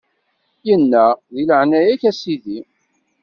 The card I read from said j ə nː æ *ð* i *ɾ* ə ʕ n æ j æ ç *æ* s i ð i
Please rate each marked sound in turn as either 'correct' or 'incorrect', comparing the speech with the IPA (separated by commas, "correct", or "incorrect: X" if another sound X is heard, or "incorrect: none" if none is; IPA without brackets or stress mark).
correct, incorrect: l, correct